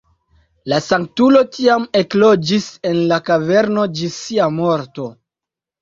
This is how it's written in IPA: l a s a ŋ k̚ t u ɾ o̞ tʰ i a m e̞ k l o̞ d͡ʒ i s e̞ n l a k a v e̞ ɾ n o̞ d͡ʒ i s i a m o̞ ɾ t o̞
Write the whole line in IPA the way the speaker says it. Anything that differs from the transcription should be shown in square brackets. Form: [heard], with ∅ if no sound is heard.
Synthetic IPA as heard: l a s a ŋ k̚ t u [l] o̞ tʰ i a m e̞ k l o̞ d͡ʒ i s e̞ n l a k a v e̞ ɾ n o̞ d͡ʒ i s i a m o̞ ɾ t o̞